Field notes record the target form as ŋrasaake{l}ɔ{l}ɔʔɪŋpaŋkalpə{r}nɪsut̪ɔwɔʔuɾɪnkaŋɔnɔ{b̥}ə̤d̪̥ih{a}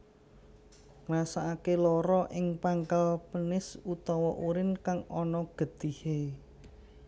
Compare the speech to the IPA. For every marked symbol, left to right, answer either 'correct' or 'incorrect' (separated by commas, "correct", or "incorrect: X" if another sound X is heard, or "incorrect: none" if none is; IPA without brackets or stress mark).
correct, incorrect: ɾ, incorrect: none, incorrect: ɡ̥, incorrect: e